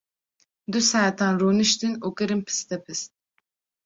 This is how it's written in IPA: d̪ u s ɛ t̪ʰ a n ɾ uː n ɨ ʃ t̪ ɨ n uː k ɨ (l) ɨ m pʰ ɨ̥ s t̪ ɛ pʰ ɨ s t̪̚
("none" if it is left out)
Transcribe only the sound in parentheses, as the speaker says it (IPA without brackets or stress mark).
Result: ɾ